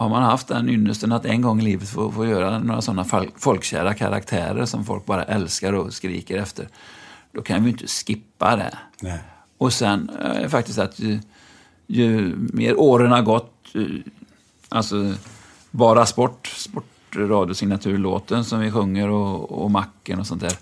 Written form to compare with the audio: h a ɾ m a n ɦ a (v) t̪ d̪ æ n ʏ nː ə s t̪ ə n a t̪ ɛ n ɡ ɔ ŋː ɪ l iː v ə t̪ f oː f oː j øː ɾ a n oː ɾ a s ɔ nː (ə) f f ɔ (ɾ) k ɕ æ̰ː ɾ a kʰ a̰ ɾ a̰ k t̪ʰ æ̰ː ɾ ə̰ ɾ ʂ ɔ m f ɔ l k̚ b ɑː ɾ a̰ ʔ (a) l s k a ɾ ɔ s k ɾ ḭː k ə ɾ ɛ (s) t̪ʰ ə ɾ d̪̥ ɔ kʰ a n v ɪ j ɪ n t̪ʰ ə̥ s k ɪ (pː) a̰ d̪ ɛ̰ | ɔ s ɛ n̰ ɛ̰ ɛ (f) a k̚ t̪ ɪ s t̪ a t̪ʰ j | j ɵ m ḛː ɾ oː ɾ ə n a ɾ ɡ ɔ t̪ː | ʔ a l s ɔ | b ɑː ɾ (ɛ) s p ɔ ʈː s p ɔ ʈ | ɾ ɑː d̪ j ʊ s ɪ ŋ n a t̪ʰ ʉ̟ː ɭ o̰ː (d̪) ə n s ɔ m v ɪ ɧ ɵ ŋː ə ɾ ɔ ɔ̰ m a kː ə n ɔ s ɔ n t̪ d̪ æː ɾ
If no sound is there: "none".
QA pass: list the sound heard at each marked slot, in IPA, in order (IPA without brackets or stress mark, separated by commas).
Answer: f, a, l, ɛ, f, pː, f, a, t̪